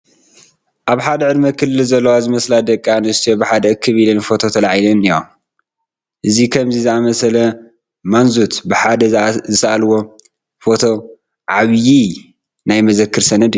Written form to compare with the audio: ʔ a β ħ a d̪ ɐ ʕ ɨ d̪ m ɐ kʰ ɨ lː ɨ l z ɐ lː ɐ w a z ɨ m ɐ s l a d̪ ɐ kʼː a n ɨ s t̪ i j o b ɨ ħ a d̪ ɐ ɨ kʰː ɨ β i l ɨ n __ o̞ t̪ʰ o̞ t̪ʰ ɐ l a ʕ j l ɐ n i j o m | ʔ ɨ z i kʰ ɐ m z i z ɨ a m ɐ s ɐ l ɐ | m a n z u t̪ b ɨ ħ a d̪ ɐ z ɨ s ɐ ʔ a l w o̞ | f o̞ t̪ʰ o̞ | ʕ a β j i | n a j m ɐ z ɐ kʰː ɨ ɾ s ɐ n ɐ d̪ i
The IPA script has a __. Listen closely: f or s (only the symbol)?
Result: f